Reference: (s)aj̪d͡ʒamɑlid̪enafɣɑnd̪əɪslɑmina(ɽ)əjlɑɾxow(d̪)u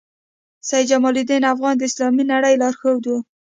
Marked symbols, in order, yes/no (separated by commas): yes, yes, yes